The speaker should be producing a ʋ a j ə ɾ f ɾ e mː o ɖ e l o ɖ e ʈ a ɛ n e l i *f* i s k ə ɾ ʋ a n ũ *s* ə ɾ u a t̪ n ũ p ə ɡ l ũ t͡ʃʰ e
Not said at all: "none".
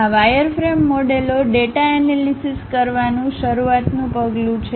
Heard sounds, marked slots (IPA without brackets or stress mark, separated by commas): s, ʃ